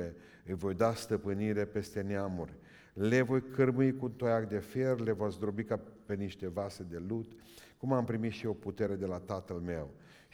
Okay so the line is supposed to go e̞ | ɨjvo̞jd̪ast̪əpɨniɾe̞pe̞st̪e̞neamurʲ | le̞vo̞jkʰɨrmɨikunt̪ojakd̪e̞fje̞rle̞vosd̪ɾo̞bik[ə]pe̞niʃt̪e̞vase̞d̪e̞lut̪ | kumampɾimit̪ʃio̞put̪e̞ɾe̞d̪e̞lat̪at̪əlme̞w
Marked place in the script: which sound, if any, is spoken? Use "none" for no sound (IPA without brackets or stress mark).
a